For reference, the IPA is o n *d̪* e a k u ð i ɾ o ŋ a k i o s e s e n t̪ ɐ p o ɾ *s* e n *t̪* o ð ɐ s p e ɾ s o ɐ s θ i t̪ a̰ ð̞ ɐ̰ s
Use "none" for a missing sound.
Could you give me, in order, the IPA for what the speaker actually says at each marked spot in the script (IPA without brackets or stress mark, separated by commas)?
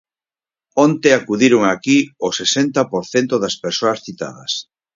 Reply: t̪, θ, t̪